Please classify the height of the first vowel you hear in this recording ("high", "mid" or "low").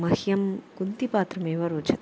low